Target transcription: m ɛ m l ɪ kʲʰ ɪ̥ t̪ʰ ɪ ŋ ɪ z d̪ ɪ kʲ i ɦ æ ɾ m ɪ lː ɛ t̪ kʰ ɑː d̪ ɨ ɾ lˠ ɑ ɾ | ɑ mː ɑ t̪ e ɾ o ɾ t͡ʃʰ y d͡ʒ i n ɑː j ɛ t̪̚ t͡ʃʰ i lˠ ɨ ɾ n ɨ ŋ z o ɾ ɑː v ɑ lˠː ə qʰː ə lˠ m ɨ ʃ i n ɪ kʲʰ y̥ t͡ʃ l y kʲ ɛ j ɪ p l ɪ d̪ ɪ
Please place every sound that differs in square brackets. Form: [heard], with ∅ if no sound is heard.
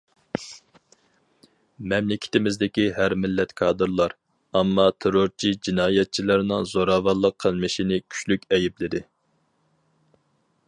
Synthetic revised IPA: m ɛ m l ɪ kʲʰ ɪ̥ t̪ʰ ɪ [m] ɪ z d̪ ɪ kʲ i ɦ æ ɾ m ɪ lː ɛ t̪ kʰ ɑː d̪ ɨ ɾ lˠ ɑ ɾ | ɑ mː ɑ [t̪ʰ] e ɾ o ɾ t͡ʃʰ [i] d͡ʒ i n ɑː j ɛ t̪̚ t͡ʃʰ i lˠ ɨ ɾ n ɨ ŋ z o ɾ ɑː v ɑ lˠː ə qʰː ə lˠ m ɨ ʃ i n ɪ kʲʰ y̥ t͡ʃ l y kʲ ɛ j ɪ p l ɪ d̪ ɪ